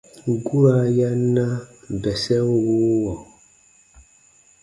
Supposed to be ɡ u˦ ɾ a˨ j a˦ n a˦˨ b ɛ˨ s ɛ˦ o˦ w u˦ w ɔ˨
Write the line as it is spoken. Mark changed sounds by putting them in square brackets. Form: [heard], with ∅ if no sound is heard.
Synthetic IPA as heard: ɡ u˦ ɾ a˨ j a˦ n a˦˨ b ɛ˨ s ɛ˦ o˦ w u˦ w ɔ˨